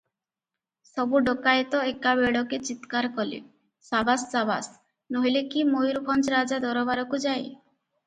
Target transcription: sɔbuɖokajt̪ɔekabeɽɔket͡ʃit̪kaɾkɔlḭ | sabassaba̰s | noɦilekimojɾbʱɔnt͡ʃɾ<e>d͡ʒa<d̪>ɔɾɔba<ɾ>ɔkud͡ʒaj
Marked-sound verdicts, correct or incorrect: incorrect: a, correct, correct

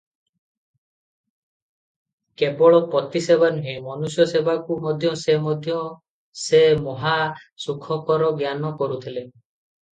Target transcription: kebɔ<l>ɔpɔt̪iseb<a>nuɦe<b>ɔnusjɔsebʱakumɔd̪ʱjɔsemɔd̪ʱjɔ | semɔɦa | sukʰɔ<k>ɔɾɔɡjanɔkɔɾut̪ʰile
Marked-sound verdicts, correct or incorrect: incorrect: ɭ, correct, incorrect: m, correct

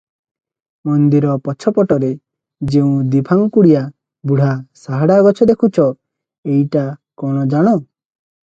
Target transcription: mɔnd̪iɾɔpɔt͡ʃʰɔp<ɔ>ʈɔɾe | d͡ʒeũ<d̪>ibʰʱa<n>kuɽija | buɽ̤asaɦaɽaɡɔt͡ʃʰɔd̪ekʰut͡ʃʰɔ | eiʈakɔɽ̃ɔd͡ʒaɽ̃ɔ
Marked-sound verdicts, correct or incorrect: correct, correct, incorrect: ŋ

